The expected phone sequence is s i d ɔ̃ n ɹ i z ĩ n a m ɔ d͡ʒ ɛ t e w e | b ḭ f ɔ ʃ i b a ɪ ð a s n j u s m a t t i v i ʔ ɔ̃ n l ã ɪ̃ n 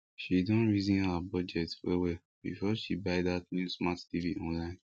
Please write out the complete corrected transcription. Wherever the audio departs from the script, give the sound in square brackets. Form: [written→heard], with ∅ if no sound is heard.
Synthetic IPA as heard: [s→ʃ] i d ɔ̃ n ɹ i z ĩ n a [m→b] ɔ d͡ʒ ɛ t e w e | b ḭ f ɔ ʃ i b a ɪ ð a [s→t] n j u s m a t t i v i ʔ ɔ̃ n l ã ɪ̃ n